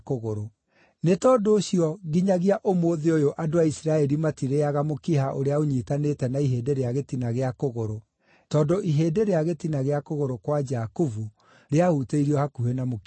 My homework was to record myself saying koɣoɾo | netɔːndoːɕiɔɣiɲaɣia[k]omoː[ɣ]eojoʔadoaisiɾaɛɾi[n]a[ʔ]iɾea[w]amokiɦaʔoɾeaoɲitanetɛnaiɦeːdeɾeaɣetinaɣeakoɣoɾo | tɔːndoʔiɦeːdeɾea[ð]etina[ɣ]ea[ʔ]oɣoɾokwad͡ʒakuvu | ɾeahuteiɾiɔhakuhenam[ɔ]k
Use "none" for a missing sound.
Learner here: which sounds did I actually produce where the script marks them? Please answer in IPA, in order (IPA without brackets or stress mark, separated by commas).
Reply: ʔ, ð, m, t, ɣ, ɣ, ɣ, k, o